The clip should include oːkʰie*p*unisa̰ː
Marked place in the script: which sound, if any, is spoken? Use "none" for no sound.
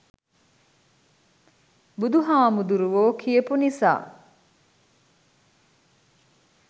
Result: p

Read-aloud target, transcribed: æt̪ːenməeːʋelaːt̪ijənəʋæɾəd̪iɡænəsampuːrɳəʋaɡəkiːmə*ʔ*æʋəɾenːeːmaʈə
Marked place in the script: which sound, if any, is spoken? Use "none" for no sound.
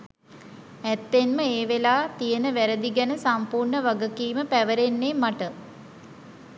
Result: p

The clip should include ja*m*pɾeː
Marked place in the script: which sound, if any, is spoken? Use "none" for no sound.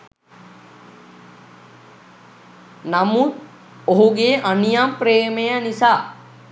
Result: m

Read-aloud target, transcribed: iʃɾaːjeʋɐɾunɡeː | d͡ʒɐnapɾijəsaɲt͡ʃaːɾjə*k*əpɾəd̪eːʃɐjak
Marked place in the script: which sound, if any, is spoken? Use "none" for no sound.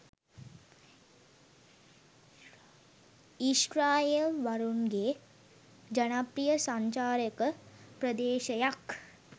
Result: k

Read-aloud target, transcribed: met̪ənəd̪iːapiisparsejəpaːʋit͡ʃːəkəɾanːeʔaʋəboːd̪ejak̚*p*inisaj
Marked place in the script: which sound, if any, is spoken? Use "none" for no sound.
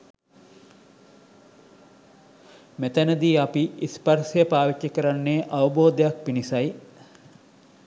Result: p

